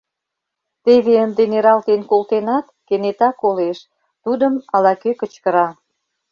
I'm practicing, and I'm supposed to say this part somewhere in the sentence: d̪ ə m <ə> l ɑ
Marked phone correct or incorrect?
incorrect